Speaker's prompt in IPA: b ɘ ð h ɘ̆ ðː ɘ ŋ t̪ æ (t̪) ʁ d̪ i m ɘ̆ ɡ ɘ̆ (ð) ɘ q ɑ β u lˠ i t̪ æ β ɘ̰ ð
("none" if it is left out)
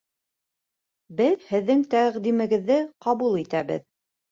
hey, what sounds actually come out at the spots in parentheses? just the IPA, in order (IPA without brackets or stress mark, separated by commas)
none, ðː